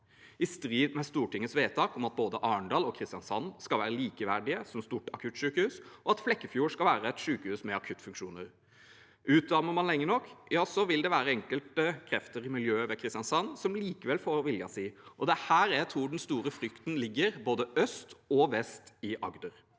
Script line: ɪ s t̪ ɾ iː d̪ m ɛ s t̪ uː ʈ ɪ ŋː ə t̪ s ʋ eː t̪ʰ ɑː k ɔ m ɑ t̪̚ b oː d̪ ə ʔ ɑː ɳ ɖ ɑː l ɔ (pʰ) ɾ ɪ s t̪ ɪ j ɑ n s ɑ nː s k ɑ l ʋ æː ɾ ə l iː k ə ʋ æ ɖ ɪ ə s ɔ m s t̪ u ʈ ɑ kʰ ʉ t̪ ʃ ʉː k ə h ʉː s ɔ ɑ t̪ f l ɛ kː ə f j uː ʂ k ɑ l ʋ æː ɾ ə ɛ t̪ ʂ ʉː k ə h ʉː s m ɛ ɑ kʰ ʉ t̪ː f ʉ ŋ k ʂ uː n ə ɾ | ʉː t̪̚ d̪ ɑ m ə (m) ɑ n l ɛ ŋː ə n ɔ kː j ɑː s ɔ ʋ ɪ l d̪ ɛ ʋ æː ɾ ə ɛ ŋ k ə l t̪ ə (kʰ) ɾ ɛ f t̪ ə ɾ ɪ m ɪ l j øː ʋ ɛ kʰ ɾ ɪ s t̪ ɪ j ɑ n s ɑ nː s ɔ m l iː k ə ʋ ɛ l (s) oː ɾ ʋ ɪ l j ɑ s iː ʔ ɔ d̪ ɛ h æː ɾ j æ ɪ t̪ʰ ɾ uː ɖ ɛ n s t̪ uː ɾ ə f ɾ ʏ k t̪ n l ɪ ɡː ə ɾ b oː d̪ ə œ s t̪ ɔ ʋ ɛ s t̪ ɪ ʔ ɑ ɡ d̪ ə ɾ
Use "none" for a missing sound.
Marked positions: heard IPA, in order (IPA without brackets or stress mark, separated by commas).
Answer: kʰ, m, kʰ, f